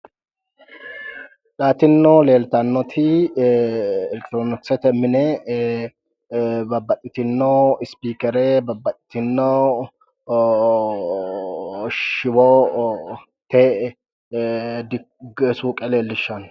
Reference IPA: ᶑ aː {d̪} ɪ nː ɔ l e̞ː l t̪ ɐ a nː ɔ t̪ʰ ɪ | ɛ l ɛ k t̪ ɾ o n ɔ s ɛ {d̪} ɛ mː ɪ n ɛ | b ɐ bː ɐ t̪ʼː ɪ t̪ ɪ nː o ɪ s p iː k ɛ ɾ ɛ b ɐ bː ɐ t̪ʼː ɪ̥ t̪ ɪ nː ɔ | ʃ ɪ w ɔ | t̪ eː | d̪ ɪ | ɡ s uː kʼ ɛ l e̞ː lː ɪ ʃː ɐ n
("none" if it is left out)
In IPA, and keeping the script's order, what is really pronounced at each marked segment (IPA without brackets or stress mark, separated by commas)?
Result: t̪, t̪